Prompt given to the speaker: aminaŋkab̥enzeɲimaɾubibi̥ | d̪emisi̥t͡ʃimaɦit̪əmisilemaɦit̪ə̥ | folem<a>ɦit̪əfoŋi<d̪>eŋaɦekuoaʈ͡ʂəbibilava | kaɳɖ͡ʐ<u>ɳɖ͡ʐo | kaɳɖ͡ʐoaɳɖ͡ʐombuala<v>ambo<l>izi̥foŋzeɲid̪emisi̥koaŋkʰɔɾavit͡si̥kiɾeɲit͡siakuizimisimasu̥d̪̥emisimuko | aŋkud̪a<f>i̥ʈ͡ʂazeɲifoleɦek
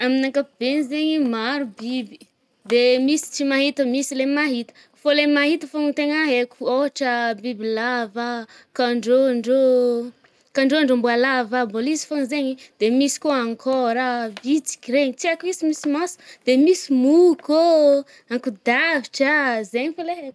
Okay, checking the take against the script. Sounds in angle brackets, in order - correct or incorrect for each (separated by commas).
correct, incorrect, incorrect, correct, correct, incorrect